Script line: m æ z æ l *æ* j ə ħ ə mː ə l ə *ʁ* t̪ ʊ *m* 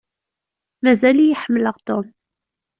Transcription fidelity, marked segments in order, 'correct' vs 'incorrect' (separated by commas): incorrect, correct, correct